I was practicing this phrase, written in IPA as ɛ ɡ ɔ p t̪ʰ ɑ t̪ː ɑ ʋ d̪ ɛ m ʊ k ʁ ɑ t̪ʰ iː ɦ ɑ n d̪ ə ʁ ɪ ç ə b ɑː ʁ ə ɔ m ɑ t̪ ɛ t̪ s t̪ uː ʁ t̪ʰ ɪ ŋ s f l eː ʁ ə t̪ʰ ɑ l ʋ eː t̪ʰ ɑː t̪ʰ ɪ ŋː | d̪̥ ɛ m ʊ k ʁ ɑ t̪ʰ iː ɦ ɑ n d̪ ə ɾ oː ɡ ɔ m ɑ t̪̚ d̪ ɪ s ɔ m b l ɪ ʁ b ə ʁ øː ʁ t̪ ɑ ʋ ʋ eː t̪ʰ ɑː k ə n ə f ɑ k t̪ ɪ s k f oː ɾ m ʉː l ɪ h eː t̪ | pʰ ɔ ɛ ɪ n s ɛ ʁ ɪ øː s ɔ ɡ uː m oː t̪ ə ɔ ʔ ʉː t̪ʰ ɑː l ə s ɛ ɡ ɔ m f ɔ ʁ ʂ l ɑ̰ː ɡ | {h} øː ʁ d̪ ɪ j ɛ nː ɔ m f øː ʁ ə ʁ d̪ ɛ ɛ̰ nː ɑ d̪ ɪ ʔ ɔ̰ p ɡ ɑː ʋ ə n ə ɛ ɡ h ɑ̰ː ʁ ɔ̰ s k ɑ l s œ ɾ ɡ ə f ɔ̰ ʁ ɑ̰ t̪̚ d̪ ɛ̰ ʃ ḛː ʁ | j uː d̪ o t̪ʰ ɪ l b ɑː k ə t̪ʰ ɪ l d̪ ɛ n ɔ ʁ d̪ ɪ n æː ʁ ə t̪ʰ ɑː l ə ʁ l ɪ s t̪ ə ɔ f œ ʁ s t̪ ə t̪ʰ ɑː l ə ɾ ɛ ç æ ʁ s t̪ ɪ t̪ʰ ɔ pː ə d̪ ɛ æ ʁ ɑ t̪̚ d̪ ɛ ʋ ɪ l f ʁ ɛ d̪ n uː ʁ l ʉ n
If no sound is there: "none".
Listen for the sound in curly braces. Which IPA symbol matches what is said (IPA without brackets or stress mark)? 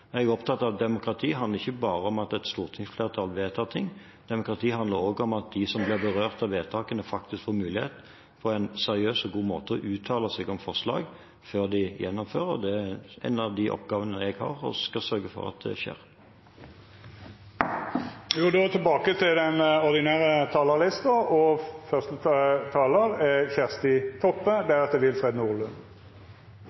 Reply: f